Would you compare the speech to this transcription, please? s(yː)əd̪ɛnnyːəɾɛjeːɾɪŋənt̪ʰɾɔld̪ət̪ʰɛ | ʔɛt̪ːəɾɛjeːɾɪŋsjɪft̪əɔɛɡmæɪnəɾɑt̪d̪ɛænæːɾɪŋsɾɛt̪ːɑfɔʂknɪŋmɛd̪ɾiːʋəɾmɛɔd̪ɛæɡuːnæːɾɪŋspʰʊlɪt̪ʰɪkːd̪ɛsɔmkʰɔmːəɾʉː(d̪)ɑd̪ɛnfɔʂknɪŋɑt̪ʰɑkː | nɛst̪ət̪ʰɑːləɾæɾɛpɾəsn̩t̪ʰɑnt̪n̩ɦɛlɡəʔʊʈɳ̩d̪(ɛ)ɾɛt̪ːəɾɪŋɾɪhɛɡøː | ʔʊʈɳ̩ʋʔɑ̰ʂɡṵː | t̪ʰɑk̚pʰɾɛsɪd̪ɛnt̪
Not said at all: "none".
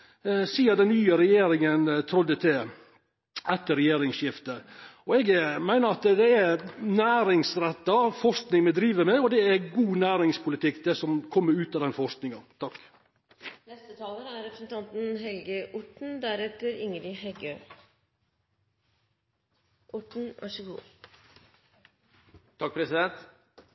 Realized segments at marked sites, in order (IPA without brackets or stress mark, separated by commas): iː, t̪, æ